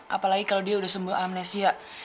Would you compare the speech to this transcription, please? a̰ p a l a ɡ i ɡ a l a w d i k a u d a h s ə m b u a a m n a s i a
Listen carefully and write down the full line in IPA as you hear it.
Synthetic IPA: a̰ p a l a ɡ i k a l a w d i a u d a h s ə m b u a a m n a s i a